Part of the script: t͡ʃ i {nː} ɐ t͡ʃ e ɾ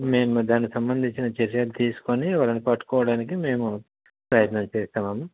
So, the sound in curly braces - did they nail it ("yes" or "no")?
no